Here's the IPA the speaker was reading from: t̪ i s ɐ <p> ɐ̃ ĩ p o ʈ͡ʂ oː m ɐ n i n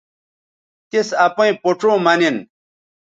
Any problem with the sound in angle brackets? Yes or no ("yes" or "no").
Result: no